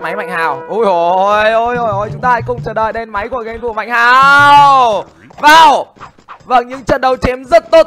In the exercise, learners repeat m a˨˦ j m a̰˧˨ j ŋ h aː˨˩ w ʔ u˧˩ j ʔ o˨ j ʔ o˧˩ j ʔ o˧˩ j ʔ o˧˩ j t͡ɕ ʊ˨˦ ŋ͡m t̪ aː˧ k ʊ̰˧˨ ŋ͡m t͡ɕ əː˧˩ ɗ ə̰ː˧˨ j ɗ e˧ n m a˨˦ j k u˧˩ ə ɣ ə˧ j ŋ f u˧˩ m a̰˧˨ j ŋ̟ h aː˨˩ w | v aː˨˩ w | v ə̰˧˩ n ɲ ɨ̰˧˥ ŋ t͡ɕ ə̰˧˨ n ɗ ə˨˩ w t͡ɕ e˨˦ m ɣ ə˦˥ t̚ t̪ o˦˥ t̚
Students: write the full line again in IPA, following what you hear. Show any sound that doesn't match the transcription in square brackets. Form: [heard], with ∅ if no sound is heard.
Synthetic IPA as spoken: m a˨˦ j m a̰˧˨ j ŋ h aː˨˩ w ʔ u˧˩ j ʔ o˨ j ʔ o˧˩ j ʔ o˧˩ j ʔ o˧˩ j t͡ɕ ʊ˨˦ ŋ͡m t̪ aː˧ k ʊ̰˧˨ ŋ͡m t͡ɕ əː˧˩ ɗ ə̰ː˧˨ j ɗ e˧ n m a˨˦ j k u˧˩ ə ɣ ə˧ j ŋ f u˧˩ m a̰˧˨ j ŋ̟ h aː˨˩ w | v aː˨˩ w | v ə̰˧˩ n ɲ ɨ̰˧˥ ŋ t͡ɕ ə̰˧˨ n ɗ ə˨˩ w t͡ɕ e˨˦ m [z] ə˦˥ t̚ t̪ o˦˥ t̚